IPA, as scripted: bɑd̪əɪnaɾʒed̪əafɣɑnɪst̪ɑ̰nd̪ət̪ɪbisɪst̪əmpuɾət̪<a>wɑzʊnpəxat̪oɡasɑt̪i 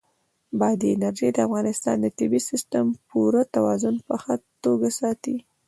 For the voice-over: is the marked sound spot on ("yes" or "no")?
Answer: yes